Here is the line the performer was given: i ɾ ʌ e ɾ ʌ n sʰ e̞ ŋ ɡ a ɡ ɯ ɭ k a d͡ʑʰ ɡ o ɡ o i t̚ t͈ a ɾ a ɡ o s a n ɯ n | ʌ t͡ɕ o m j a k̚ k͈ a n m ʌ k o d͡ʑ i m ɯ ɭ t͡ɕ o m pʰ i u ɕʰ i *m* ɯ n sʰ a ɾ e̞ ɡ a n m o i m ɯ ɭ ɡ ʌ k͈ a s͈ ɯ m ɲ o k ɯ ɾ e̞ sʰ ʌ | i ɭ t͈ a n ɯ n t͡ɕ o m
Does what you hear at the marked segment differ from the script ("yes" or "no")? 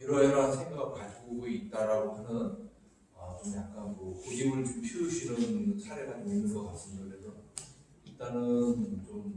yes